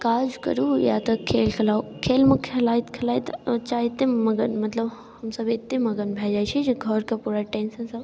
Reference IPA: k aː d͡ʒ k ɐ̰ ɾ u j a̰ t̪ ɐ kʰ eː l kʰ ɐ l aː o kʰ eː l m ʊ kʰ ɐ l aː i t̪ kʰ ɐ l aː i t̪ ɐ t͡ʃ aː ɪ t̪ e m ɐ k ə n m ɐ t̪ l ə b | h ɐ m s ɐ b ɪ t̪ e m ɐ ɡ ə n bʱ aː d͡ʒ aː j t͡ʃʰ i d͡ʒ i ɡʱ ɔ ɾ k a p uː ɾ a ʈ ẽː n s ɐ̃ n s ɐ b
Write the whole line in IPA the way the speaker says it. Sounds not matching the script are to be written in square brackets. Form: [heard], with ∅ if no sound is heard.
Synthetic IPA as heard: k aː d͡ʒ k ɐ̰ ɾ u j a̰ t̪ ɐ kʰ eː l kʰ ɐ l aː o kʰ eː l m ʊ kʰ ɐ l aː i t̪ kʰ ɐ l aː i t̪ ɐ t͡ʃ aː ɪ t̪ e m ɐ [ɡ] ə n m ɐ t̪ l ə b | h ɐ m s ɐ b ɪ t̪ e m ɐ ɡ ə n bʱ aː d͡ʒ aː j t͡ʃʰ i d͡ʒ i ɡʱ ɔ ɾ k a p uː ɾ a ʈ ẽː n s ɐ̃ n s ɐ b